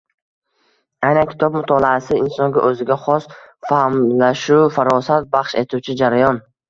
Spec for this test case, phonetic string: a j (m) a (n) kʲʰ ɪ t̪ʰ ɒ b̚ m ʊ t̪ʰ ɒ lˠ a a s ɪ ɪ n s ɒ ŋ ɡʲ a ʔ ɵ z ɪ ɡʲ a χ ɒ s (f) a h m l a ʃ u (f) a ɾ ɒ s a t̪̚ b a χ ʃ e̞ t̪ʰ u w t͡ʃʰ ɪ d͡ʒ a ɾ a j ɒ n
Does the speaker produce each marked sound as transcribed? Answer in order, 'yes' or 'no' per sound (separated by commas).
no, yes, yes, yes